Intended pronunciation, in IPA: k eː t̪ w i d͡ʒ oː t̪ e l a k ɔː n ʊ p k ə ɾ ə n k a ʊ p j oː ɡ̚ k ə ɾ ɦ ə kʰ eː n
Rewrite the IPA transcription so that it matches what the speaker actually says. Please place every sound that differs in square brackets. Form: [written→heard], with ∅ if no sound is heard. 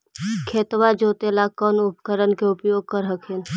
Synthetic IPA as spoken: [k→kʰ] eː t̪ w [i→a] d͡ʒ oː t̪ e l a k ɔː n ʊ p k ə ɾ ə n k [a→e] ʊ p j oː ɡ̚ k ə ɾ ɦ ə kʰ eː n

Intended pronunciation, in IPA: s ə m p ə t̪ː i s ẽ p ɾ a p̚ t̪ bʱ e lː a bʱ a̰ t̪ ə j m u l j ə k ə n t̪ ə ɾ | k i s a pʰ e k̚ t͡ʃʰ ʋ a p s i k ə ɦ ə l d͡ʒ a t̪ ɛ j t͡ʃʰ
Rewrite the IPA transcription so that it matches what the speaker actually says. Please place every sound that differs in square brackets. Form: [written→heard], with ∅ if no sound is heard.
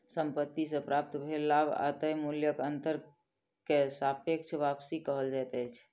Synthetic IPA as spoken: s ə m p ə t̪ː i s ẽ p ɾ a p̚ t̪ bʱ e lː a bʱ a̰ t̪ ə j m u l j ə k ə n t̪ ə ɾ | k [i→e] s a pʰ e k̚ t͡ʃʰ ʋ a p s i k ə ɦ ə l d͡ʒ a t̪ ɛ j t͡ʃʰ

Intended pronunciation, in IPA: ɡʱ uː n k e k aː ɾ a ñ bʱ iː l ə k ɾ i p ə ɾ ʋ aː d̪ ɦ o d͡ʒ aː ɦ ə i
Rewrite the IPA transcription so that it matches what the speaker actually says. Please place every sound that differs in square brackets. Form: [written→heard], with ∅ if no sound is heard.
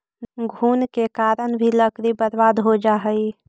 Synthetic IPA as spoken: ɡʱ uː n k e k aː ɾ [a→ə] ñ bʱ [iː→i] l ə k ɾ i [p→b] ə ɾ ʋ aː d̪ ɦ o d͡ʒ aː ɦ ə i

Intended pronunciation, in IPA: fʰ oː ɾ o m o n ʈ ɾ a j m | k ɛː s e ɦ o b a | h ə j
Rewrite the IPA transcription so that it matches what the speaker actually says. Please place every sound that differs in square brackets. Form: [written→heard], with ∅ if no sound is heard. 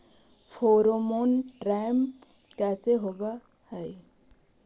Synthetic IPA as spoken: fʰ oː ɾ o m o n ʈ ɾ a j m | k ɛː s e ɦ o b a | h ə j

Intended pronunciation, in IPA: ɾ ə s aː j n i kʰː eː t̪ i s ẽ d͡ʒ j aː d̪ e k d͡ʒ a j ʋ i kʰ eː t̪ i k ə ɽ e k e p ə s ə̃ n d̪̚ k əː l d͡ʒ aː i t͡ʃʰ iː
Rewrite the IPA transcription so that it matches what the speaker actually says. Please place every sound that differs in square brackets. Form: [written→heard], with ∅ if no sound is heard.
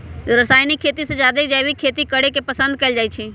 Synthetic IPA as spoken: ɾ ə s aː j n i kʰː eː t̪ i s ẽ d͡ʒ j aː d̪ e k d͡ʒ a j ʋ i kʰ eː t̪ i k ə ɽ e k e p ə s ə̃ n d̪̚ k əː l d͡ʒ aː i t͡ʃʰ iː

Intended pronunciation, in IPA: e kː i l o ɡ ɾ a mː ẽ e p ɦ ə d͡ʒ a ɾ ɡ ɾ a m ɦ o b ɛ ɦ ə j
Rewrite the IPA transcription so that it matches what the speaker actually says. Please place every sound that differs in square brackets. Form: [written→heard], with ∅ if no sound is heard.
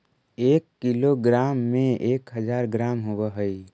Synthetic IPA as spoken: e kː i l o ɡ ɾ a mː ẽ e [p→k] ɦ ə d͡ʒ a ɾ ɡ ɾ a m ɦ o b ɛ ɦ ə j

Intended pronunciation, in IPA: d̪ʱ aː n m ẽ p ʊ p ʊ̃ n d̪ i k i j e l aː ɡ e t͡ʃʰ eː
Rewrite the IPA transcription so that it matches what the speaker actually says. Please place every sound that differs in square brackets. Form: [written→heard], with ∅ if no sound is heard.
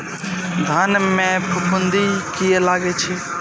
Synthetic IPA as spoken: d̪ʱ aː n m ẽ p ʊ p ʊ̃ n d̪ i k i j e l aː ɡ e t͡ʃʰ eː

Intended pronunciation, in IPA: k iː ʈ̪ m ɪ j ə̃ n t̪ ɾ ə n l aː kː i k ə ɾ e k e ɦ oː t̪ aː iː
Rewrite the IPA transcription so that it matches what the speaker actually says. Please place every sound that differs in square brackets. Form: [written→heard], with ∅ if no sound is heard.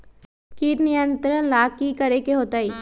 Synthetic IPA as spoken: k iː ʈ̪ [m→n] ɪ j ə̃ n t̪ ɾ ə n l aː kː i k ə ɾ e k e ɦ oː t̪ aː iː

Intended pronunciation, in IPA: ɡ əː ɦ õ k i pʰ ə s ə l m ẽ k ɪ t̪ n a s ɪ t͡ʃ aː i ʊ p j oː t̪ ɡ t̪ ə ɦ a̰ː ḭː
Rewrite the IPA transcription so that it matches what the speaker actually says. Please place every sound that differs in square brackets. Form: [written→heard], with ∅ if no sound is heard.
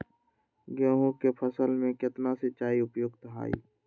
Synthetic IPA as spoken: ɡ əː ɦ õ k [i→e] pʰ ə s ə l m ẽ k ɪ t̪ n a s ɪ t͡ʃ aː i ʊ p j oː [t̪→∅] ɡ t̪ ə ɦ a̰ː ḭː

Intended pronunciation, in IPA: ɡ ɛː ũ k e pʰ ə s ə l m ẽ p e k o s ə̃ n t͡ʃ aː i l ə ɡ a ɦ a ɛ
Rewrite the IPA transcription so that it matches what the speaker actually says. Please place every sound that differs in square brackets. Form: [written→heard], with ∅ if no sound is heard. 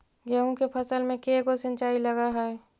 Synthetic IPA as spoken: ɡ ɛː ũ k e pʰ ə s ə l m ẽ [p→k] e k o s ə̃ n t͡ʃ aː i l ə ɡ a ɦ [a→ɛ] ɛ

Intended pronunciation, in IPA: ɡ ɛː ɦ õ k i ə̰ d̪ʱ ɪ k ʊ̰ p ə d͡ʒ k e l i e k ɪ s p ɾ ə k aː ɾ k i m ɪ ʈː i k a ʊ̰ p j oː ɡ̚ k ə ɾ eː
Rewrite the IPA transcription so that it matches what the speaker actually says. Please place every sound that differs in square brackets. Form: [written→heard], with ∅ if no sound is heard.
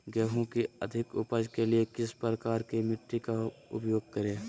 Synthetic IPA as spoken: ɡ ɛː ɦ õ k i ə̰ d̪ʱ ɪ k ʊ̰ p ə d͡ʒ k e l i e k ɪ s p ɾ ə k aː ɾ k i m ɪ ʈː i k a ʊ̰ p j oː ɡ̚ k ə ɾ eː

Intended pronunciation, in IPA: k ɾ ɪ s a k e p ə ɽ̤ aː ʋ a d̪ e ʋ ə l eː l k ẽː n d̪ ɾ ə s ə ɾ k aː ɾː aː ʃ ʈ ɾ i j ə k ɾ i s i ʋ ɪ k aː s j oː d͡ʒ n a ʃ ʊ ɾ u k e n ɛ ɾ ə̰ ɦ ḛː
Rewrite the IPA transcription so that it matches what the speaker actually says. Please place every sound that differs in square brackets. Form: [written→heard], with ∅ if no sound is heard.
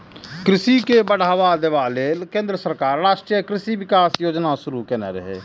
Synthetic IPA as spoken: k ɾ ɪ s [a→i] k e [p→b] ə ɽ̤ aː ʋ a d̪ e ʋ [ə→a] l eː l k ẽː n d̪ ɾ ə s ə ɾ k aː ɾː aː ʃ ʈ ɾ i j ə k ɾ [i→ɪ] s i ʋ ɪ k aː s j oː d͡ʒ n a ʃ ʊ ɾ u k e n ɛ ɾ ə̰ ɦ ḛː

